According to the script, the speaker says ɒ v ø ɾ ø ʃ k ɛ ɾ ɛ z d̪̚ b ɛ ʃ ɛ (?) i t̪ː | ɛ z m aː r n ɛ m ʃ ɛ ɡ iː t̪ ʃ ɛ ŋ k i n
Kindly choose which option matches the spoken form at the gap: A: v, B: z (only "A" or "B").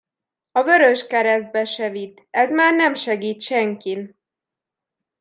A